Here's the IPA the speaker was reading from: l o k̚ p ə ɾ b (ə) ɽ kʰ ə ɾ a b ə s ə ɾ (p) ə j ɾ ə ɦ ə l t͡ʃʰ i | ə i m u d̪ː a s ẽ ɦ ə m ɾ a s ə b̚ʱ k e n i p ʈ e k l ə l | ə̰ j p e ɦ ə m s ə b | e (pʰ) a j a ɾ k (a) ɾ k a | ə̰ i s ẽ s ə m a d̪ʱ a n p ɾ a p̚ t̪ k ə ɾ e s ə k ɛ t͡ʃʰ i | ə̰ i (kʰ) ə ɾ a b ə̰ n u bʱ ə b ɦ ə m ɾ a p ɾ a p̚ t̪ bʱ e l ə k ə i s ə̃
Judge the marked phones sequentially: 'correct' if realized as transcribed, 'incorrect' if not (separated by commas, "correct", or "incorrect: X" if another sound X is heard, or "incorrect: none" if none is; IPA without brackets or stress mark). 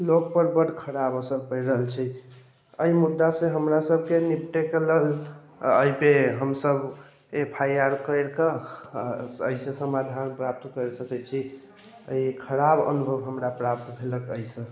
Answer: correct, correct, correct, incorrect: ə, correct